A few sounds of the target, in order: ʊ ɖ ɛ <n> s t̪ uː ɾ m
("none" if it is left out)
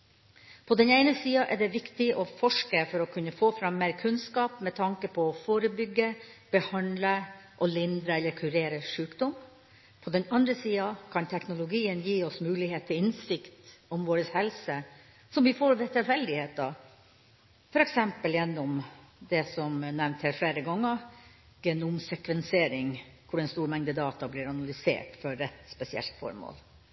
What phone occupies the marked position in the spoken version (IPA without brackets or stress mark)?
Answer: n